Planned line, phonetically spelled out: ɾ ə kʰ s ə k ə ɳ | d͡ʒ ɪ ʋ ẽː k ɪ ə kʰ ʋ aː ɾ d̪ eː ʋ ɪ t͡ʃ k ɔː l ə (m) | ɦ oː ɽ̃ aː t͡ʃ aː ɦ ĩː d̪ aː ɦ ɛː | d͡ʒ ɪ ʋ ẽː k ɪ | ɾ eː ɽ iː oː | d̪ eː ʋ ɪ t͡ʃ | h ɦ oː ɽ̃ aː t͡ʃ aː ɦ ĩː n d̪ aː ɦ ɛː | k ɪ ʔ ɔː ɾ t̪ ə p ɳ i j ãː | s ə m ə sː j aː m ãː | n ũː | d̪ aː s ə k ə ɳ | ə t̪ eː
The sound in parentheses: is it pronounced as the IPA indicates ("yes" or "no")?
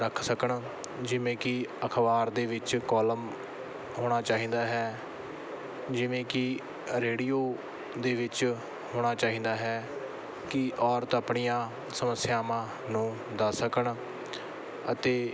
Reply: yes